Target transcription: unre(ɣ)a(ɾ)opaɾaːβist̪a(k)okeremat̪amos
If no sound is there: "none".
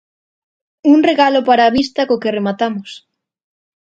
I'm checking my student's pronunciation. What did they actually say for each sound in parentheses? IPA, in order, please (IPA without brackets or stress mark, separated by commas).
ɣ, l, k